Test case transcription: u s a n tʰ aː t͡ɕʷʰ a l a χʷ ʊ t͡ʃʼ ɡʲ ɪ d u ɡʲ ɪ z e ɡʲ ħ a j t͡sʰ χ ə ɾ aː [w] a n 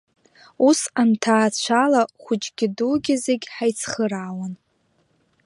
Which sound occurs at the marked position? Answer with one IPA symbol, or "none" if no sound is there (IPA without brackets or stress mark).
w